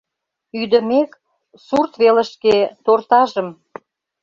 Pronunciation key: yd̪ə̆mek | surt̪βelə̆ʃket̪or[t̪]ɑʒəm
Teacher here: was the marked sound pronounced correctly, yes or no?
yes